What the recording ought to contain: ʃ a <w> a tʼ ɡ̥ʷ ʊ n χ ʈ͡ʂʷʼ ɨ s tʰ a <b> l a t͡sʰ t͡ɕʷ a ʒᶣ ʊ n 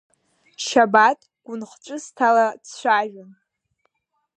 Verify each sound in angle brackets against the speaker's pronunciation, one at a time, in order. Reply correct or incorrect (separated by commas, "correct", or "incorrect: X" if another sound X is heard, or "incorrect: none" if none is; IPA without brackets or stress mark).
incorrect: b, incorrect: none